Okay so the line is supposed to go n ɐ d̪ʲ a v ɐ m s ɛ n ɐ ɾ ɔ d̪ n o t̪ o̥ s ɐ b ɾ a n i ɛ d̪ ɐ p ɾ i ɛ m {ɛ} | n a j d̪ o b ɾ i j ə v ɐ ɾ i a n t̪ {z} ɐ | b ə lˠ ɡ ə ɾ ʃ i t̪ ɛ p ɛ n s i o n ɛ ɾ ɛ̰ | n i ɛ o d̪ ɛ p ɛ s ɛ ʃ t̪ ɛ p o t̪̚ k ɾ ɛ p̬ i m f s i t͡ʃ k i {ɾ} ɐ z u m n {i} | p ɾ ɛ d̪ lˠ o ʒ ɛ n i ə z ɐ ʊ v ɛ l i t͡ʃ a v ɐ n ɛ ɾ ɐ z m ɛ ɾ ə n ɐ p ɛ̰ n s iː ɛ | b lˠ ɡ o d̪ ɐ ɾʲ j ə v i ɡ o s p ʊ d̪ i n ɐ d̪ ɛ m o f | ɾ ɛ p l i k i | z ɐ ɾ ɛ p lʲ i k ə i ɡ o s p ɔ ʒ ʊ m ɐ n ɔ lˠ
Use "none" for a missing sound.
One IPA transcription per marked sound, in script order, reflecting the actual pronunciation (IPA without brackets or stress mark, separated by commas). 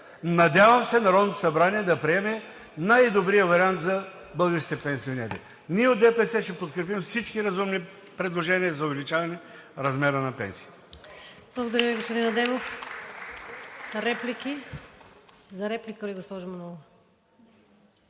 ɛ, z, ɾ, i